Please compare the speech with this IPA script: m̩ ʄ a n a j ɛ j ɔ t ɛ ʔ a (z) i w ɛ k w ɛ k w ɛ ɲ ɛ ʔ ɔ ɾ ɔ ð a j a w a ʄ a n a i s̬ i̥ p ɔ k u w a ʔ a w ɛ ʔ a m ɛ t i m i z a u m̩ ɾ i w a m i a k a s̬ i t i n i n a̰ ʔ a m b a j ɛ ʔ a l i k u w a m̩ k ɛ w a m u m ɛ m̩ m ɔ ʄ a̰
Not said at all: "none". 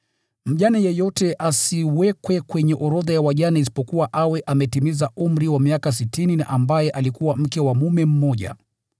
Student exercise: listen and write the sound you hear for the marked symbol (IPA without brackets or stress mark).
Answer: s